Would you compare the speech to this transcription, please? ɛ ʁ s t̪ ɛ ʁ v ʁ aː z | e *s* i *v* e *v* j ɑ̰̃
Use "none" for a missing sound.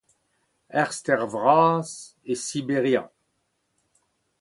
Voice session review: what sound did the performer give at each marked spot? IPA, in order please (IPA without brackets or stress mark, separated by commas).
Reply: s, b, ʁ